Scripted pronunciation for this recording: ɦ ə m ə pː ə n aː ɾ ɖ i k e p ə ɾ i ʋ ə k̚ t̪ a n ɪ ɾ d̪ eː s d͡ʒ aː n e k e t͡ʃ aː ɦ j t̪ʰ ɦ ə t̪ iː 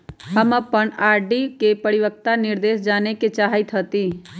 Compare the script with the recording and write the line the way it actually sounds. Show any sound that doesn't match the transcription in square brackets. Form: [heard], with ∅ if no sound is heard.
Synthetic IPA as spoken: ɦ ə m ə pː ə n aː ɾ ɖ i k e p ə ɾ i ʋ ə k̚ t̪ a n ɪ ɾ d̪ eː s d͡ʒ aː n e k e t͡ʃ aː ɦ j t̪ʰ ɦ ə t̪ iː

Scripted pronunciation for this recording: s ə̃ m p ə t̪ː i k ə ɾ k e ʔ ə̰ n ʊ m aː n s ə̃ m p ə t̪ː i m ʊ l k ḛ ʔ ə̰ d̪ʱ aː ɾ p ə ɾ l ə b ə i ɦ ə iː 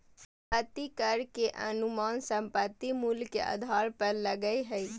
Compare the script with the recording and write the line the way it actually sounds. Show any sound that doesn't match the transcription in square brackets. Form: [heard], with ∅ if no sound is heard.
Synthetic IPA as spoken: s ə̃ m p ə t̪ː i k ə ɾ k e ʔ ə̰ n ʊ m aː n s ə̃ m p ə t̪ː i m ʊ l k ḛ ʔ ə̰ d̪ʱ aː ɾ p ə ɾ l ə [ɡ] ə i ɦ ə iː

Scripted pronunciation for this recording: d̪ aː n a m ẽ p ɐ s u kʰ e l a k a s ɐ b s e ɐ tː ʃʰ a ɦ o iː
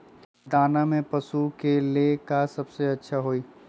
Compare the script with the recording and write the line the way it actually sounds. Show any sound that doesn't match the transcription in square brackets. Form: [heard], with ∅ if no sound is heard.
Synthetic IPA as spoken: d̪ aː n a m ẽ p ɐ s u [k] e l [e] k a s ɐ b s e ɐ tː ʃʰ a ɦ o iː

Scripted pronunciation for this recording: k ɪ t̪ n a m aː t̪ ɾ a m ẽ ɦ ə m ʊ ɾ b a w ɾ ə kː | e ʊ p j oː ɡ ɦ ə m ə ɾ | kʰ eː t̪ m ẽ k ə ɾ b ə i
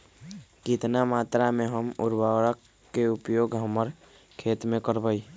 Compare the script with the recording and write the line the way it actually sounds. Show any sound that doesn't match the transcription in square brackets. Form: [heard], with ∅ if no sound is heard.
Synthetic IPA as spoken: k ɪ t̪ n a m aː t̪ ɾ a m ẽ ɦ ə m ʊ ɾ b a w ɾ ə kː | e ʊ p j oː ɡ ɦ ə m ə ɾ | kʰ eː t̪ m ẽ k ə ɾ b ə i

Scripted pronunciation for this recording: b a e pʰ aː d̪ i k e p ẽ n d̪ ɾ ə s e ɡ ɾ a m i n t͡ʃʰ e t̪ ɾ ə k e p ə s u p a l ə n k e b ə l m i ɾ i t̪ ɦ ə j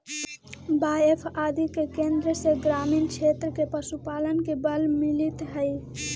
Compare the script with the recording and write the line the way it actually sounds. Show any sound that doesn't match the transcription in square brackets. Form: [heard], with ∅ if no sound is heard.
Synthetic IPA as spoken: b a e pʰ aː d̪ i k e [k] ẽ n d̪ ɾ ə s e ɡ ɾ a m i n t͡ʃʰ e t̪ ɾ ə k e p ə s u p a l ə n k e b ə l m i [l] i t̪ ɦ ə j

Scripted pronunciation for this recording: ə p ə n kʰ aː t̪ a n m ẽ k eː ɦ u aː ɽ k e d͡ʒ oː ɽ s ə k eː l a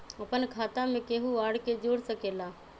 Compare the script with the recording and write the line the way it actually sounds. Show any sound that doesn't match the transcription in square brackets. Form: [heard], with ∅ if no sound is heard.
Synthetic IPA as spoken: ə p ə n kʰ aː t̪ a [∅] m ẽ k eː ɦ u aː ɽ k e d͡ʒ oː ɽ s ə k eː l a

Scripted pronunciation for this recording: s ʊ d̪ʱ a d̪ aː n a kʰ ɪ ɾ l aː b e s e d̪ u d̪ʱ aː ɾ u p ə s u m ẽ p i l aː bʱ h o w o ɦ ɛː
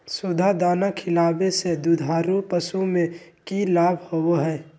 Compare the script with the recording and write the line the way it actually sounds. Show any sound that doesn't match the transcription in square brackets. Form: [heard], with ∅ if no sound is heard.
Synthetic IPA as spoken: s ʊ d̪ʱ a d̪ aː n a kʰ ɪ [∅] l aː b e s e d̪ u d̪ʱ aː ɾ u p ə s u m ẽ [k] i l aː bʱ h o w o ɦ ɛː

